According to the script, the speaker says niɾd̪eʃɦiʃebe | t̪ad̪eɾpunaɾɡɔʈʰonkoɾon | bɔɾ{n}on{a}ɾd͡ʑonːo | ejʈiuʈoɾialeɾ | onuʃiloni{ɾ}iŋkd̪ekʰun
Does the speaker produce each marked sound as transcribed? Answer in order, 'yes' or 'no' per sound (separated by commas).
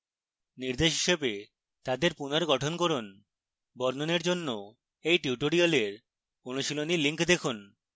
yes, no, no